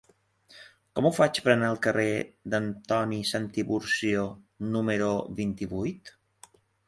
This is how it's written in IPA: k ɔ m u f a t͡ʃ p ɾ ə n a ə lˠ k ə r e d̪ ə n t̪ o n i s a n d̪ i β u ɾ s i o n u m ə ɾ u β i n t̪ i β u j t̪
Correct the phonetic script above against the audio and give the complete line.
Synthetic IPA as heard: k ɔ m u f a t͡ʃ p ɾ ə n a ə lˠ k ə r e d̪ ə n t̪ ɔ n i s a n t̪ i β u ɾ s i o n u m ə ɾ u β i n t̪ i β u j t̪